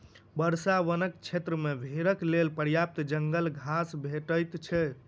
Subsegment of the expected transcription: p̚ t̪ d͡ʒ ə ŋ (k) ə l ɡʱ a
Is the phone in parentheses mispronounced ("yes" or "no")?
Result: yes